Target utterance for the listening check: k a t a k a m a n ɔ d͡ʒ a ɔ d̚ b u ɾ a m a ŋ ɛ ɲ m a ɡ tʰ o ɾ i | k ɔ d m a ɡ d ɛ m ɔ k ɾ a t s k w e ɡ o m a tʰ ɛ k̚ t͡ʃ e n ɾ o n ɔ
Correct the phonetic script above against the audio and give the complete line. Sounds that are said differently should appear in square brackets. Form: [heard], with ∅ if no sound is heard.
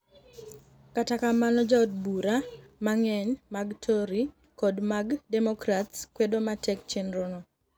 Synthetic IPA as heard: k a t a k a m a n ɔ d͡ʒ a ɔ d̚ b u ɾ a m a ŋ ɛ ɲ m a ɡ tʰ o ɾ i | k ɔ d m a ɡ d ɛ m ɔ k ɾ a t s k w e [d] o m a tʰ ɛ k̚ t͡ʃ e n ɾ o n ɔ